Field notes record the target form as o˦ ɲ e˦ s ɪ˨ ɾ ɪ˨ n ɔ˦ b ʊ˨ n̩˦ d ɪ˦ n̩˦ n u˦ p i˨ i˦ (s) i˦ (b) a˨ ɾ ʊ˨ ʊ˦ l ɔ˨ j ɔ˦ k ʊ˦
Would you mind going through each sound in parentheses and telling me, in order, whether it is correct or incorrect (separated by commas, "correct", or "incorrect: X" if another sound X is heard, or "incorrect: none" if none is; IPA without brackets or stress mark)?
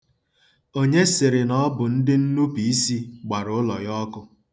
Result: correct, incorrect: ɡ͡b